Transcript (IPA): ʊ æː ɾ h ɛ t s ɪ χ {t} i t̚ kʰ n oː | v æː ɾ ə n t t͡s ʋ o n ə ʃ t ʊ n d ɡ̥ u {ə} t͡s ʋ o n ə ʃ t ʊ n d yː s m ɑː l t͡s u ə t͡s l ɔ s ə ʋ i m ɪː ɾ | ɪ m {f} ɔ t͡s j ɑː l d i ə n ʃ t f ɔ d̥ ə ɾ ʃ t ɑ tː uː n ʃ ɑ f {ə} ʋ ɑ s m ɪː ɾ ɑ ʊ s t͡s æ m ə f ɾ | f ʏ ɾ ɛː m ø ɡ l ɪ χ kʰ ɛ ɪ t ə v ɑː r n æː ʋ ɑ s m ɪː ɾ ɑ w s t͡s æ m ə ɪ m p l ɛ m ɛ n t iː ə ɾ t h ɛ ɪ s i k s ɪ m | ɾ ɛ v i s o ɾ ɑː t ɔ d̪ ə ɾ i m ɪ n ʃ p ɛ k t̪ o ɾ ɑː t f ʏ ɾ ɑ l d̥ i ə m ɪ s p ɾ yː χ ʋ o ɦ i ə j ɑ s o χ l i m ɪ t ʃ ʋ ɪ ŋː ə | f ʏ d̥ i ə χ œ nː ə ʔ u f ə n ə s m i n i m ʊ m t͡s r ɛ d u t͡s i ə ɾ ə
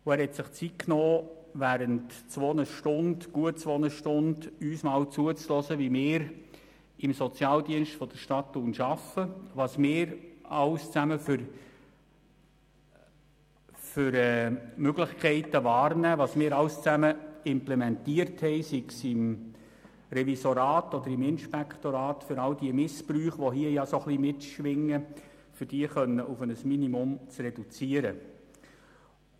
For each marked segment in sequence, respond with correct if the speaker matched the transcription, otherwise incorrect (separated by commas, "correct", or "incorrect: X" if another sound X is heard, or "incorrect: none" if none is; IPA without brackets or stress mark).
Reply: incorrect: t͡s, correct, incorrect: s, correct